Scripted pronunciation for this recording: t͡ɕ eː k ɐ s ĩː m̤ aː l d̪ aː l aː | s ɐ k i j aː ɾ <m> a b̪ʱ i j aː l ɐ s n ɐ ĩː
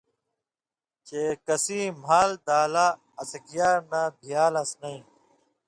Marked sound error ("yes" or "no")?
yes